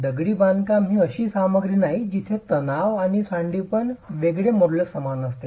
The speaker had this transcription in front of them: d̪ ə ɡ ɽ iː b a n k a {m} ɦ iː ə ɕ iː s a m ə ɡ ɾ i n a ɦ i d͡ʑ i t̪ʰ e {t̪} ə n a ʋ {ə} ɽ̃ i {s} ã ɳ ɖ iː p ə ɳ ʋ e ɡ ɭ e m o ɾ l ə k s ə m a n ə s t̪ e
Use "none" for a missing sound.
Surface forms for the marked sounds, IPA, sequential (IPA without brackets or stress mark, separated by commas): m, t̪, a, s